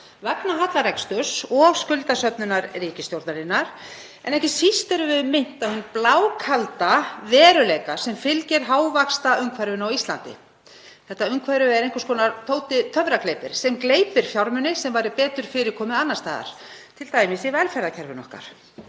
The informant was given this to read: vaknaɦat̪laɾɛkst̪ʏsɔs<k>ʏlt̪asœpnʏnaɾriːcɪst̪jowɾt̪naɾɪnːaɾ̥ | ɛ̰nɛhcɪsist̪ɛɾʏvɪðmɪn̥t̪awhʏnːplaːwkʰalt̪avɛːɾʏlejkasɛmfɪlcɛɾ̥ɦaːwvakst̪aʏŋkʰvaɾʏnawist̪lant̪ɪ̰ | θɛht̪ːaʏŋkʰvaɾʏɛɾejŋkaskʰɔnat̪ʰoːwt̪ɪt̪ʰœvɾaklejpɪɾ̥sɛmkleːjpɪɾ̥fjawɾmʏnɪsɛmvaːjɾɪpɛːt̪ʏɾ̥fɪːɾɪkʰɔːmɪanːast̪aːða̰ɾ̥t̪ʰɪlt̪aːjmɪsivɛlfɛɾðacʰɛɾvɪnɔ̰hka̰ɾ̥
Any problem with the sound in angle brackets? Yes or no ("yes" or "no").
no